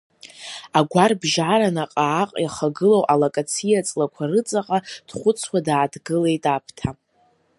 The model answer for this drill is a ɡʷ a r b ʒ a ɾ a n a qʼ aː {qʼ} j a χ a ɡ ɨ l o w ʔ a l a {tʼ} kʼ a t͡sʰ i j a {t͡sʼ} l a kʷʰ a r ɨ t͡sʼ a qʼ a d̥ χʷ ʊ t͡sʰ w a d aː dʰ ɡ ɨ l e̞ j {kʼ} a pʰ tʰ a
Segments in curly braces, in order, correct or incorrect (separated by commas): correct, incorrect, correct, incorrect